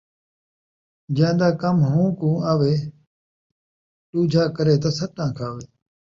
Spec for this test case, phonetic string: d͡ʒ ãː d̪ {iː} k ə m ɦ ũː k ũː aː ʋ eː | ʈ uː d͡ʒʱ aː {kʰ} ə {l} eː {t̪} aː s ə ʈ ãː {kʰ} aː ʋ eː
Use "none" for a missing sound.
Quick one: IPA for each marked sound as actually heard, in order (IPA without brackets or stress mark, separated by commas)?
aː, k, ɾ, t̪, kʰ